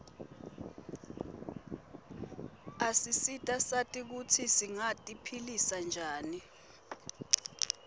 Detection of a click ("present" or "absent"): absent